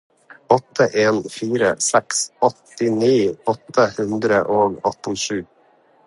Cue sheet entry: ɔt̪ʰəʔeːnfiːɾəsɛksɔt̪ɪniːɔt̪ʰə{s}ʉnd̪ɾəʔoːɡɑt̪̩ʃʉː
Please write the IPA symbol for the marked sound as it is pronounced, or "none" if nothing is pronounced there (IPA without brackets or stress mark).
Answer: h